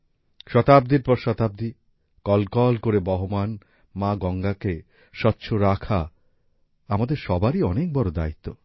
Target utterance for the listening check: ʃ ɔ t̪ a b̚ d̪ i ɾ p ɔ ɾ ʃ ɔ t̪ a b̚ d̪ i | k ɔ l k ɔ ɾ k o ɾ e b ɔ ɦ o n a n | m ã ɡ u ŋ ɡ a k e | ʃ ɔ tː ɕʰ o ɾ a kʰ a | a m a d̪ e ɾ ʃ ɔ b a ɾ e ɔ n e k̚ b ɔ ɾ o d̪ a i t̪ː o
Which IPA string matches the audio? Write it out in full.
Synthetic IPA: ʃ ɔ t̪ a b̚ d̪ i ɾ p ɔ ɾ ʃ ɔ t̪ a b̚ d̪ i | k ɔ l k ɔ l k o ɾ e b ɔ ɦ o m a n | m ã ɡ ɔ ŋ ɡ a k e | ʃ ɔ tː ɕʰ o ɾ a kʰ a | a m a d̪ e ɾ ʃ ɔ b a ɾ i ɔ n e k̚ b ɔ ɾ o d̪ a i t̪ː o

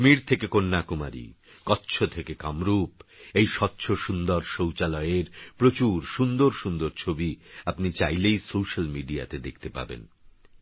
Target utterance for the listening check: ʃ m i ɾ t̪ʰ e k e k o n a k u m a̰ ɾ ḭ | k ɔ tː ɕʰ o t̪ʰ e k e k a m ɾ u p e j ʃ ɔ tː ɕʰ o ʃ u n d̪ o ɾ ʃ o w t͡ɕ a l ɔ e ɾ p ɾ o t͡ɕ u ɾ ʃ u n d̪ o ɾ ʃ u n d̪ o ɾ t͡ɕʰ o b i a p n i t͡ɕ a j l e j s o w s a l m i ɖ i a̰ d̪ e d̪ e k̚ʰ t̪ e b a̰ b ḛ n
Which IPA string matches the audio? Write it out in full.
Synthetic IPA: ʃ m i ɾ t̪ʰ e k e k o nː a k u m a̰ ɾ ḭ | k ɔ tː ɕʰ o t̪ʰ e k e k a m ɾ u p e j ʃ ɔ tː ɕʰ o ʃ u n d̪ o ɾ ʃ o w t͡ɕ a l ɔ e ɾ p ɾ o t͡ɕ u ɾ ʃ u n d̪ o ɾ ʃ u n d̪ o ɾ t͡ɕʰ o b i a p n i t͡ɕ a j l e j s o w ʃ a l m i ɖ i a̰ t̪ e d̪ e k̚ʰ t̪ e p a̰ b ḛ n

